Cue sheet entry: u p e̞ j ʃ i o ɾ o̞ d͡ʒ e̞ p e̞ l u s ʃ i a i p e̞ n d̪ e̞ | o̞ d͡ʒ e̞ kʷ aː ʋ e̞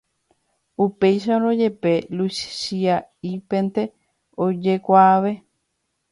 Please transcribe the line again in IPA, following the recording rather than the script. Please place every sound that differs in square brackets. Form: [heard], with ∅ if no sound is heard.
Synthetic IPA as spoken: u p e̞ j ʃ [a] o ɾ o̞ d͡ʒ e̞ p e̞ l u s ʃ i a i p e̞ n [t̪] e̞ | o̞ d͡ʒ e̞ kʷ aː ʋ e̞